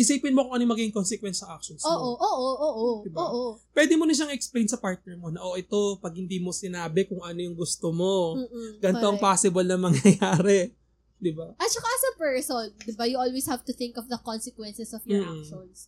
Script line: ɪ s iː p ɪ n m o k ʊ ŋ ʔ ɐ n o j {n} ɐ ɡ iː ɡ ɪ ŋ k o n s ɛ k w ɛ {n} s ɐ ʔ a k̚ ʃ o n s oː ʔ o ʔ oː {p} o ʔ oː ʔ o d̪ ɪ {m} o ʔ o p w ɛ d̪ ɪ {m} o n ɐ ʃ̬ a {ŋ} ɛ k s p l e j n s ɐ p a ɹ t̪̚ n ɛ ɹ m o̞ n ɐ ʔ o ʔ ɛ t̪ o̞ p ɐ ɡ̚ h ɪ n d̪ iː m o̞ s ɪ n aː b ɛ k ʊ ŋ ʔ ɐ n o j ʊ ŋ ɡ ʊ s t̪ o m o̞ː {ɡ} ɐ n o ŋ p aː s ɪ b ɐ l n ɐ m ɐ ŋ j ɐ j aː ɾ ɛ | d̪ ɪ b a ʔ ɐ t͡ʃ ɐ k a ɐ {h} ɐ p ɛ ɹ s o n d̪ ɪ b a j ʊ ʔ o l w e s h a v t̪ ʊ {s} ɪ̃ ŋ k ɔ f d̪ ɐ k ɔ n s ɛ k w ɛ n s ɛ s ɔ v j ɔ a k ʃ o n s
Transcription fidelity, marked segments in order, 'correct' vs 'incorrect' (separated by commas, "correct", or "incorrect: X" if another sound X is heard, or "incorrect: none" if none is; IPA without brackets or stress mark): incorrect: m, correct, incorrect: ʔ, incorrect: b, correct, correct, correct, incorrect: s, incorrect: θ